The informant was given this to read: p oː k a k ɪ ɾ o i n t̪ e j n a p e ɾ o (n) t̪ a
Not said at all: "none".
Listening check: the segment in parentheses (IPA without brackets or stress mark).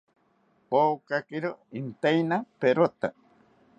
none